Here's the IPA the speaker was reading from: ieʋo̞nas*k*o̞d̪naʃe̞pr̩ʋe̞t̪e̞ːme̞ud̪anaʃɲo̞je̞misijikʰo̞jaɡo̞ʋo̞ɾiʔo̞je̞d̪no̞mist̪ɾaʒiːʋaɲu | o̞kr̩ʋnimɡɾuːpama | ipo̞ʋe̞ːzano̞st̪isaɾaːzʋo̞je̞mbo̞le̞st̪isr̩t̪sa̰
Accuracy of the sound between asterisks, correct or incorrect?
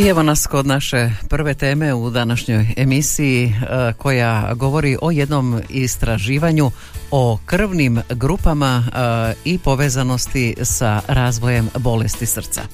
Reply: correct